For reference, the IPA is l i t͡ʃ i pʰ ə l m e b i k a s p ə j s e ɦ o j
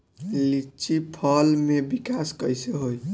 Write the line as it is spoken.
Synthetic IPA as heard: l i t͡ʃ i pʰ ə l m e b i k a s k ə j s e ɦ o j

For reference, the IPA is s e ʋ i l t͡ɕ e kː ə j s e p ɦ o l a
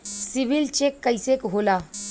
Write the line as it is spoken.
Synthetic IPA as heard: s i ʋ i l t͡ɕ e kː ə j s e k ɦ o l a

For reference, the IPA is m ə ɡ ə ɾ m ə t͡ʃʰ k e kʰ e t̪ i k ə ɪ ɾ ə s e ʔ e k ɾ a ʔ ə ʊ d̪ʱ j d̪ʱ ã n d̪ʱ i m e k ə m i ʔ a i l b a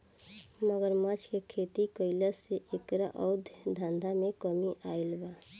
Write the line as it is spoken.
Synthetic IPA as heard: m ə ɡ ə ɾ m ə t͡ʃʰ k e kʰ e t̪ i k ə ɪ l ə s e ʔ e k ɾ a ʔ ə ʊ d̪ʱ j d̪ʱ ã n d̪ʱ a m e k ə m i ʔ a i l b a

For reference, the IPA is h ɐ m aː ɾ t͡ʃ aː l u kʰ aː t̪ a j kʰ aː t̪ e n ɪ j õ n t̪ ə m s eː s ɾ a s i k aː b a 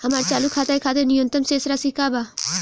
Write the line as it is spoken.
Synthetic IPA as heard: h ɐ m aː ɾ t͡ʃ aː l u kʰ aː t̪ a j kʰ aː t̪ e n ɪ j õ n t̪ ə m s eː s ɾ a s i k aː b a

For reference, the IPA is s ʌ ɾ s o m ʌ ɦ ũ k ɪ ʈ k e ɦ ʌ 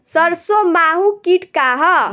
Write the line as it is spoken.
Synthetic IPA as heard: s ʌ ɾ s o m a ɦ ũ k i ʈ k a ɦ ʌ

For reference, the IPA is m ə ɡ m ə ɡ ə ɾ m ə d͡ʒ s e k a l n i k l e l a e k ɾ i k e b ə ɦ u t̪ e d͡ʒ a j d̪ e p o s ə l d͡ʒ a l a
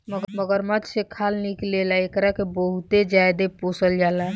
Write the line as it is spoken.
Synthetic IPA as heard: m ə ɡ m ə ɡ ə ɾ m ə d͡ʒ s e kʰ a l n i k l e l a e k ɾ a k e b ə ɦ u t̪ e d͡ʒ a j d̪ e p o s ə l d͡ʒ a l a

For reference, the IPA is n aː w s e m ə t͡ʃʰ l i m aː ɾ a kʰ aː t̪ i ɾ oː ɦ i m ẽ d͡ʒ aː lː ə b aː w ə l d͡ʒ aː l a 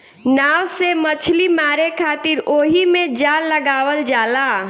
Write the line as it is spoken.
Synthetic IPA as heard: n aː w s e m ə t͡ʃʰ l i m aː ɾ e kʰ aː t̪ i ɾ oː ɦ i m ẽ d͡ʒ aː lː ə ɡ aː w ə l d͡ʒ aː l a

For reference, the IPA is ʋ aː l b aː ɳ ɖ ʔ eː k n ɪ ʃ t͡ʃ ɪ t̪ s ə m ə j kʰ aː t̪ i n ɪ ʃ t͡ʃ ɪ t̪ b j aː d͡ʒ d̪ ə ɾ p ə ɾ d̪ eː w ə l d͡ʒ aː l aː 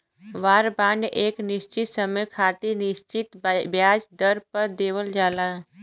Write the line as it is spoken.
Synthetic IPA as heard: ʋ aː ɾ b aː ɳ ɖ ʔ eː k n ɪ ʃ t͡ʃ ɪ t̪ s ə m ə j kʰ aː t̪ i n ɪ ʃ t͡ʃ ɪ t̪ b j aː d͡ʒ d̪ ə ɾ p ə ɾ d̪ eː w ə l d͡ʒ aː l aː

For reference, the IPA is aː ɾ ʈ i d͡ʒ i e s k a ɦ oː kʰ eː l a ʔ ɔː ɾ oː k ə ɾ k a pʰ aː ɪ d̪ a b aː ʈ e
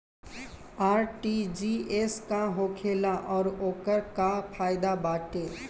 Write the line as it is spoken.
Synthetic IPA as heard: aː ɾ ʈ i d͡ʒ i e s k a ɦ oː kʰ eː l a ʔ ɔː ɾ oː k ə ɾ k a pʰ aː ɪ d̪ a b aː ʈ e

